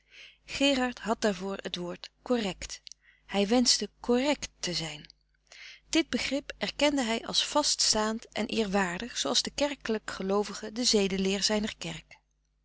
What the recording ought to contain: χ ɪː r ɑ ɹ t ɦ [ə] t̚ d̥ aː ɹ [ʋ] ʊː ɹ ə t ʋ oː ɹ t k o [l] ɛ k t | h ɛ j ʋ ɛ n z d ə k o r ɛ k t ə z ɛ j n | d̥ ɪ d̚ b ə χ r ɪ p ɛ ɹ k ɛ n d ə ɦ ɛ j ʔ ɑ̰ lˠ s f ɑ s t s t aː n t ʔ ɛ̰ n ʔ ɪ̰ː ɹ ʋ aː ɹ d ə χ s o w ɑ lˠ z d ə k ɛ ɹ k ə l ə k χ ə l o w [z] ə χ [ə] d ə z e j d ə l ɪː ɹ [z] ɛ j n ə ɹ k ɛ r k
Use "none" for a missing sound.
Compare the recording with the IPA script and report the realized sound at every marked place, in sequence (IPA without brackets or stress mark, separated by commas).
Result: ɑ, v, r, v, ə, z